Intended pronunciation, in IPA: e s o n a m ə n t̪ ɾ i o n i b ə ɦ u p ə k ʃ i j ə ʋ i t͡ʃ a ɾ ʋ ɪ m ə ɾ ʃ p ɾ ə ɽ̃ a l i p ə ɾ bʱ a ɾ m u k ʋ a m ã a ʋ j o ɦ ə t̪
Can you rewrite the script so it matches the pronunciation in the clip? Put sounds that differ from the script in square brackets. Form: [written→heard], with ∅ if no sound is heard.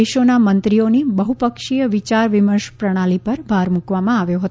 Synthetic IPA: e [s→ʃ] o n a m ə n t̪ ɾ i o n i b ə ɦ u p ə k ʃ i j ə ʋ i t͡ʃ a ɾ ʋ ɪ m ə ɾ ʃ p ɾ ə ɽ̃ a l i p ə ɾ bʱ a ɾ m u k ʋ a m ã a ʋ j o ɦ ə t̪